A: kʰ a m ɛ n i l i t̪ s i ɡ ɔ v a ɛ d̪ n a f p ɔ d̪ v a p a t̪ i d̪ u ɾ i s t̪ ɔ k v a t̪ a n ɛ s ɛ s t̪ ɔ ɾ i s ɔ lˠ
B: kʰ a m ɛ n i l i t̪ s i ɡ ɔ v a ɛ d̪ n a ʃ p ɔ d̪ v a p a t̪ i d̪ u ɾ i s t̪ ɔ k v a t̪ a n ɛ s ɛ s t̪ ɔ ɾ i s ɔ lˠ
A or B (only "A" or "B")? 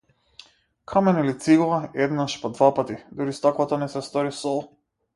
B